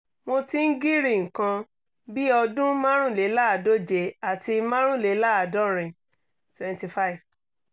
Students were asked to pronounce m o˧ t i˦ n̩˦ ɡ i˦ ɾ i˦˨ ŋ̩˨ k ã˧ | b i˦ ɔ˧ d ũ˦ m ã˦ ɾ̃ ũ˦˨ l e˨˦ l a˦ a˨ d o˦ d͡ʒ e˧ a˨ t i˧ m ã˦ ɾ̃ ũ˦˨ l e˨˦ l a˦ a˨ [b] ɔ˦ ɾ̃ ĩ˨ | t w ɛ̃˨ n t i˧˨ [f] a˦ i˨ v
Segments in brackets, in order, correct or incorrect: incorrect, correct

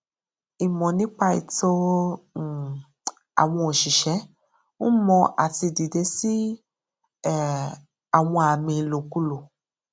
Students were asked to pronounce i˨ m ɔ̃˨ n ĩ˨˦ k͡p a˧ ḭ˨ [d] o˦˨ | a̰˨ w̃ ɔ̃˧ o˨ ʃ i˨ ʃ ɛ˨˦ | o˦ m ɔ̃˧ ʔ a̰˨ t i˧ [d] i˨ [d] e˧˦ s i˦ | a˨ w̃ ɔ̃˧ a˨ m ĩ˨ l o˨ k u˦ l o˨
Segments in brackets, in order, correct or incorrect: incorrect, correct, correct

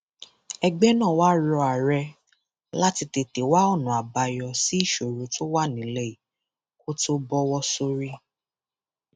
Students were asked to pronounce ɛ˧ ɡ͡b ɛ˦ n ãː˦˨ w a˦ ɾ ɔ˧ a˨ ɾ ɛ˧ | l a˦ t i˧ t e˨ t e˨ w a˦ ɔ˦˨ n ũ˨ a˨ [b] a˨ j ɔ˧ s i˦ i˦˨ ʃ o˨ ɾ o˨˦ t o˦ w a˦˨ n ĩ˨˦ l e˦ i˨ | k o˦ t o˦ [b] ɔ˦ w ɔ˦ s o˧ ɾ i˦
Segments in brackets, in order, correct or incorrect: correct, correct

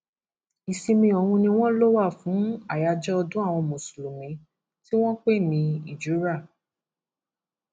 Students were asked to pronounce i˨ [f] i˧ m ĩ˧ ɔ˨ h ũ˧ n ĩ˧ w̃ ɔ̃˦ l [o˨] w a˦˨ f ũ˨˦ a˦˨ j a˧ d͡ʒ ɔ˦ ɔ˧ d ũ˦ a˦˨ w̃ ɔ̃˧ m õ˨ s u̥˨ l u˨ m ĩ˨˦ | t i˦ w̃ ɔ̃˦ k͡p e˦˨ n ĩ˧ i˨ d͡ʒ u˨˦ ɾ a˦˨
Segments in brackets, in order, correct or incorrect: incorrect, incorrect

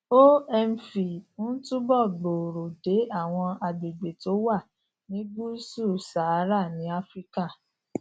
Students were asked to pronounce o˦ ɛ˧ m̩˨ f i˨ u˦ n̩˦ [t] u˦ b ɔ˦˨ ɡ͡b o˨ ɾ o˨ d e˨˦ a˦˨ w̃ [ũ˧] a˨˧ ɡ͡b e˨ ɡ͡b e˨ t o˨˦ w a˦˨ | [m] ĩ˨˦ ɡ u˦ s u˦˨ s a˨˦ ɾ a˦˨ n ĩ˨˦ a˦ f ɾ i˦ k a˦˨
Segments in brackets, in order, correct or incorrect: correct, incorrect, incorrect

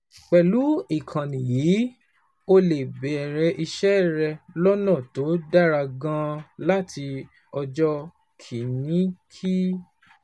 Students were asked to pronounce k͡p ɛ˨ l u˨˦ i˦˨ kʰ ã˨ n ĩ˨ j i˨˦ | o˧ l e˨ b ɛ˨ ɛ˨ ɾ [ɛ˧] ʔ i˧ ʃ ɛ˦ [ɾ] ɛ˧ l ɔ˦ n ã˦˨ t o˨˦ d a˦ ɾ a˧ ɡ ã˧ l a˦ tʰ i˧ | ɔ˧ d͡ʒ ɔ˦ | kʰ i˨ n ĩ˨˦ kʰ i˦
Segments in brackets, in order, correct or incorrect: correct, correct

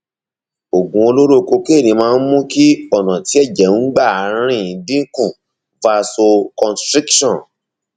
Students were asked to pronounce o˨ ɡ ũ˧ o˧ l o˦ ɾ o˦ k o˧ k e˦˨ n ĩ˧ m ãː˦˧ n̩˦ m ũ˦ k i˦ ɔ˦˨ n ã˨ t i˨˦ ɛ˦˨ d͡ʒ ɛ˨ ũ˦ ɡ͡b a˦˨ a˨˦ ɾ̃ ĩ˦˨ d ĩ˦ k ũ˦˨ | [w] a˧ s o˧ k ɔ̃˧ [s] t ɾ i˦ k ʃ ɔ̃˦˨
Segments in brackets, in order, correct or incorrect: incorrect, correct

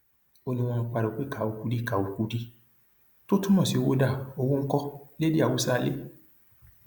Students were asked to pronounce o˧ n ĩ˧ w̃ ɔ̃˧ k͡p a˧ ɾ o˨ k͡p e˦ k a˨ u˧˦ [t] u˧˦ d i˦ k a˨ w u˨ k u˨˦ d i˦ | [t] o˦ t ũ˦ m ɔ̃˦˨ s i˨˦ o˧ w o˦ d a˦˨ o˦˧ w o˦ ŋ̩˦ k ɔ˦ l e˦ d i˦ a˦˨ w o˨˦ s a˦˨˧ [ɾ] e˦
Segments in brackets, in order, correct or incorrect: incorrect, correct, incorrect

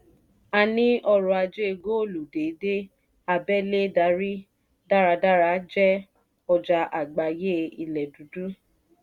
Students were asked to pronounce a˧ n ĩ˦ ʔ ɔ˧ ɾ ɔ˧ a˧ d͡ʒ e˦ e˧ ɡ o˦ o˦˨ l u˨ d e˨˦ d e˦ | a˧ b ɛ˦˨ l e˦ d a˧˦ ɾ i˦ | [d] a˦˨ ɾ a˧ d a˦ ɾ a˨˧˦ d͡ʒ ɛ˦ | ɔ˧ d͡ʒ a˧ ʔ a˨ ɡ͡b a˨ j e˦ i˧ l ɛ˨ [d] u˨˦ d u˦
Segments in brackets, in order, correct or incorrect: correct, correct

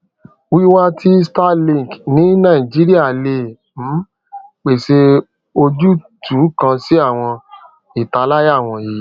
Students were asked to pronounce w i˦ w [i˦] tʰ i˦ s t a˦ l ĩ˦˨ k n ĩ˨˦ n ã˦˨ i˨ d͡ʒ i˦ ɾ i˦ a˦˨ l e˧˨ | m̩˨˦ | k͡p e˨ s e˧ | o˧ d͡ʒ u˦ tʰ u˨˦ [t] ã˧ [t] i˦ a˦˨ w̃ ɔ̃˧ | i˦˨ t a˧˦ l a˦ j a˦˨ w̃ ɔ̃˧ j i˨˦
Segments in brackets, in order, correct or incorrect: incorrect, incorrect, incorrect

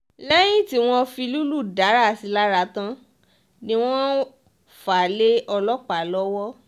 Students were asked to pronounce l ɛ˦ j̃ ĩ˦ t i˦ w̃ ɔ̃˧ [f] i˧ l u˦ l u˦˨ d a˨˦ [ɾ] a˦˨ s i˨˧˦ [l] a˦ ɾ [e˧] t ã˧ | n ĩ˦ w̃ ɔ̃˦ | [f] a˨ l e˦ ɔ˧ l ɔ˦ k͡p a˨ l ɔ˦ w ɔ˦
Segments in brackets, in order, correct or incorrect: correct, correct, correct, incorrect, correct

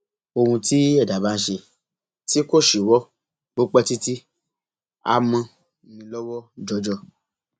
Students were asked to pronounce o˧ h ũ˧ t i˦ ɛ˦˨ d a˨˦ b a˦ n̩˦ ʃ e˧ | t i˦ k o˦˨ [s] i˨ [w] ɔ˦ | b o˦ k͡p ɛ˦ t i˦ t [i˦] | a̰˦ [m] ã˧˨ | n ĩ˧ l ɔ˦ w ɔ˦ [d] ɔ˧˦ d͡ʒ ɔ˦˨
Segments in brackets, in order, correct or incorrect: incorrect, correct, correct, correct, incorrect

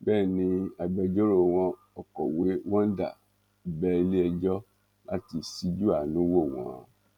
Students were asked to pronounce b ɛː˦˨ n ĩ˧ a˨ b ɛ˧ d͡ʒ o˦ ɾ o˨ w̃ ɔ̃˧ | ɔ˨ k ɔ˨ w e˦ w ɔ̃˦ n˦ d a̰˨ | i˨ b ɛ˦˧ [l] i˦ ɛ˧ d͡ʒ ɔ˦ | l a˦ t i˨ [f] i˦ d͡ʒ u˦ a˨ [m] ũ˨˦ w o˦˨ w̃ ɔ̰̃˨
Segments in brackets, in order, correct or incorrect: correct, incorrect, incorrect

